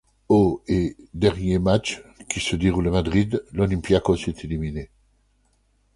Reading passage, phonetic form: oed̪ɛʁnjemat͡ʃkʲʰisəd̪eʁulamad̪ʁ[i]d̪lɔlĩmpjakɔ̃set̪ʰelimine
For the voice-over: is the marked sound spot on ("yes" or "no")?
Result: yes